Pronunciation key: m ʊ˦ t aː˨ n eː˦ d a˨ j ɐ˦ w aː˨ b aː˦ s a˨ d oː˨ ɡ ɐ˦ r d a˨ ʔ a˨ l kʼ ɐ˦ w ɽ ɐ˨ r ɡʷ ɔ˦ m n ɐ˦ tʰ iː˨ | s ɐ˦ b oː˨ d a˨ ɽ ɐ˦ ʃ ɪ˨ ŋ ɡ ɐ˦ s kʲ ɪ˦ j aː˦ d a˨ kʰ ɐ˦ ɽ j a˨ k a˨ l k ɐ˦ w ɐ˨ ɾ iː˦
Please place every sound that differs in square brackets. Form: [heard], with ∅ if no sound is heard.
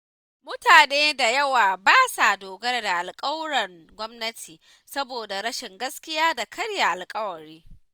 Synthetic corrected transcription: m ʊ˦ t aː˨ n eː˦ d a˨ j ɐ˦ w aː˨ b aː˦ s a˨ d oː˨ ɡ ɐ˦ r d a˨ ʔ a˨ l kʼ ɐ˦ w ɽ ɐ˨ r ɡʷ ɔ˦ m n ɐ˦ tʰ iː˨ | s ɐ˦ b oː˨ d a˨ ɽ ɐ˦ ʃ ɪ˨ ŋ ɡ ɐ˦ s kʲ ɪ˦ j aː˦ d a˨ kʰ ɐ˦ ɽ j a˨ [ʔ] a˨ l [kʼ] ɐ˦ w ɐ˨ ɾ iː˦